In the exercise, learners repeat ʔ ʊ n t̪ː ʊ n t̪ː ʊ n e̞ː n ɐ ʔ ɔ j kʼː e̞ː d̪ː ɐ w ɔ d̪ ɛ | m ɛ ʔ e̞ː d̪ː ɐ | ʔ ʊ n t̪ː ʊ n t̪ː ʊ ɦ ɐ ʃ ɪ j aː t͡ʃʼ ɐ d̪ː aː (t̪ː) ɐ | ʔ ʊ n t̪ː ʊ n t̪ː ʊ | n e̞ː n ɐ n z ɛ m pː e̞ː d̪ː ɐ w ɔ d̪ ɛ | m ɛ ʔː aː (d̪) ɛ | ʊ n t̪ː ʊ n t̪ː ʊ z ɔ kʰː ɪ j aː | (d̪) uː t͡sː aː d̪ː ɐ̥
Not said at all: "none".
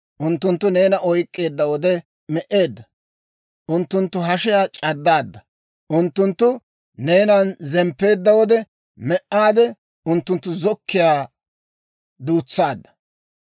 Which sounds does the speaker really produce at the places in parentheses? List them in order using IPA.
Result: d̪ː, d̪, d̪

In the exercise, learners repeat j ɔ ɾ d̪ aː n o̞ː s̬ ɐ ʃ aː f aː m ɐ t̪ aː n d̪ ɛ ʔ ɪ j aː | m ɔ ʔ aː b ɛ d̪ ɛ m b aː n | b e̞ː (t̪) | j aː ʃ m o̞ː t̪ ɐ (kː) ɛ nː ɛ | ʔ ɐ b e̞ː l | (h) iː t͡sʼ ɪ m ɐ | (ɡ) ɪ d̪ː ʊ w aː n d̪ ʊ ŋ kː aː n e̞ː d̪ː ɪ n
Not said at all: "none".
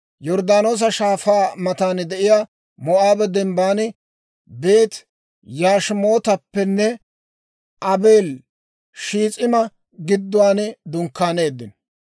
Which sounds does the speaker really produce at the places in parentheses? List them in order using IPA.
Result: t̪, pː, ʃ, ɡ

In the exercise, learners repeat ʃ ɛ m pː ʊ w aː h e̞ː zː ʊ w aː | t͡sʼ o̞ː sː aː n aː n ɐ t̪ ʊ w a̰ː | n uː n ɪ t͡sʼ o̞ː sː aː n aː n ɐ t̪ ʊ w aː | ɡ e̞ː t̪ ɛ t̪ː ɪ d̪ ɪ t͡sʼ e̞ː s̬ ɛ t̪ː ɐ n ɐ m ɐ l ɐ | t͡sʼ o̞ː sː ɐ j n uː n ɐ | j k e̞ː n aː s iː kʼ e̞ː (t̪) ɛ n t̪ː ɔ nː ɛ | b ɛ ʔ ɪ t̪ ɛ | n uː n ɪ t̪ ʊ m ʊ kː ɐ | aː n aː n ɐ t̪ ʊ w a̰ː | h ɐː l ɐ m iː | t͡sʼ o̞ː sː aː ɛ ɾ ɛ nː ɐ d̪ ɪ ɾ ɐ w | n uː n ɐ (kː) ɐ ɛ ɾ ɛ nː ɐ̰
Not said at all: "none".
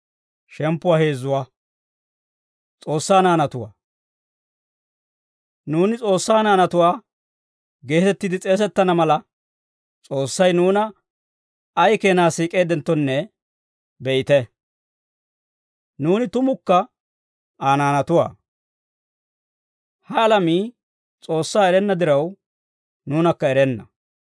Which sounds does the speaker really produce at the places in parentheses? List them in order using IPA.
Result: d̪, kː

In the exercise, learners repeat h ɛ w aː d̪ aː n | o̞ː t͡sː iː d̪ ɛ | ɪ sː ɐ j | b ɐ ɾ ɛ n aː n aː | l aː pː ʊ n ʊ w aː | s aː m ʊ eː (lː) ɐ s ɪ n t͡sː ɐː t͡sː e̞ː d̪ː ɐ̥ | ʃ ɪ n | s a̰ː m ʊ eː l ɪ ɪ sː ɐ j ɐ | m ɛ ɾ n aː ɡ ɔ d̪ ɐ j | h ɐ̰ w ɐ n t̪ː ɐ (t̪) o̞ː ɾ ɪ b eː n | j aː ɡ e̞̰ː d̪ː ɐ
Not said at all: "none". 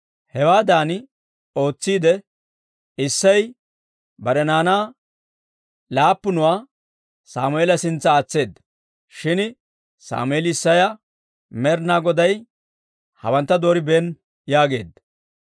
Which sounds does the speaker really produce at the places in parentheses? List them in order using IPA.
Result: l, d̪

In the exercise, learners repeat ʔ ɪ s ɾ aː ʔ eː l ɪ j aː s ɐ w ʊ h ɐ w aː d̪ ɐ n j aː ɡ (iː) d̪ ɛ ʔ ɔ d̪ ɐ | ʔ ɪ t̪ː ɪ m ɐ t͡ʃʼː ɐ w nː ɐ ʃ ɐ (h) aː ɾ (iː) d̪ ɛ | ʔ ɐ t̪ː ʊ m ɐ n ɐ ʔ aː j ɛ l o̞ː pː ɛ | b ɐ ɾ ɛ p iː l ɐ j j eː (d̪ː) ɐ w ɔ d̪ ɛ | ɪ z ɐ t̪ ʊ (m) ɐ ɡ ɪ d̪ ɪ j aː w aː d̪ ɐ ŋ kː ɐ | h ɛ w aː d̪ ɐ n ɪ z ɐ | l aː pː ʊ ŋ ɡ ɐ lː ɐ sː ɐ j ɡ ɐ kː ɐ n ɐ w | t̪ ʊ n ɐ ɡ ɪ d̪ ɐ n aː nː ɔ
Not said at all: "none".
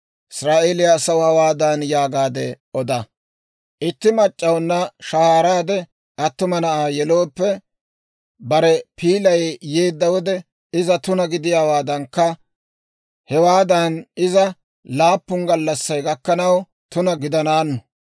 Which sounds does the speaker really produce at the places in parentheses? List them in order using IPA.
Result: aː, h, aː, d̪ː, n

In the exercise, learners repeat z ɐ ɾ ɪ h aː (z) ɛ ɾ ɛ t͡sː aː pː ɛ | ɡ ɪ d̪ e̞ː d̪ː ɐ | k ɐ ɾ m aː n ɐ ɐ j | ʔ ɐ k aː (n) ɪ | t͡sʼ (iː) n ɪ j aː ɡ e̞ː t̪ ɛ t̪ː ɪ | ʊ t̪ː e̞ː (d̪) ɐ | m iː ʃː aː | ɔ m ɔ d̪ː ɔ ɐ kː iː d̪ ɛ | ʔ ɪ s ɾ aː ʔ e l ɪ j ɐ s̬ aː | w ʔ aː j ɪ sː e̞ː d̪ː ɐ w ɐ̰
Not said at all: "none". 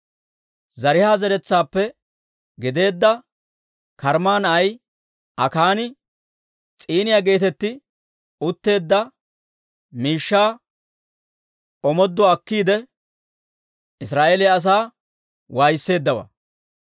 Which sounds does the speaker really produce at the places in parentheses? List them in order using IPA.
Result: z, n, iː, d̪ː

